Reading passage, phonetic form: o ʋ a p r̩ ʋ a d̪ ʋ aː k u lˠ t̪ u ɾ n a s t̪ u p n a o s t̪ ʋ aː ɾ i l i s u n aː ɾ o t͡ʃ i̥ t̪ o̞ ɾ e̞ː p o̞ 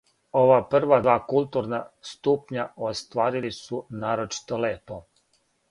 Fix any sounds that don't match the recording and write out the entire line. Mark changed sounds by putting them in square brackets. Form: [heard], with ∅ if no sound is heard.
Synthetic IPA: o ʋ a p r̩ ʋ a d̪ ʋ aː k u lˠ t̪ u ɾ n a s t̪ u p [ɲ] a o s t̪ ʋ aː ɾ i l i s u n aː ɾ o t͡ʃ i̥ t̪ o̞ [l] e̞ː p o̞